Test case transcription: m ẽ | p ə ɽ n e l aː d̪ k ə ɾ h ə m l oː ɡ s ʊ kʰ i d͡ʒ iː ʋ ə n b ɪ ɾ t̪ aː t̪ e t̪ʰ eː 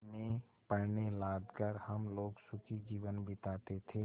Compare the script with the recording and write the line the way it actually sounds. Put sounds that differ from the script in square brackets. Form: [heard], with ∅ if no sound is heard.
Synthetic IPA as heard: m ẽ | p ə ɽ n e l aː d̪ k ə ɾ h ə m l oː ɡ s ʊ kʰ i d͡ʒ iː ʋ ə n b ɪ [∅] t̪ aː t̪ e t̪ʰ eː